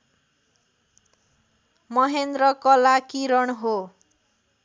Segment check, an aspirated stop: absent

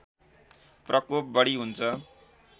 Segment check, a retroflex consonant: present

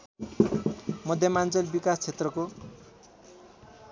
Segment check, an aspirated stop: present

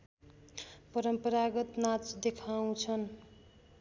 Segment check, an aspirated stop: present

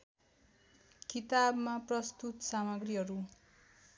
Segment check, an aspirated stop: absent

